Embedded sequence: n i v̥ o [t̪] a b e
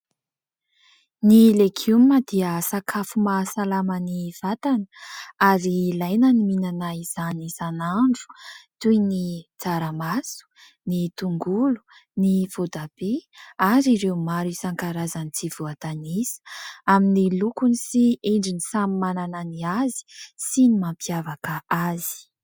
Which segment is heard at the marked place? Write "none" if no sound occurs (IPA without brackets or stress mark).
d̪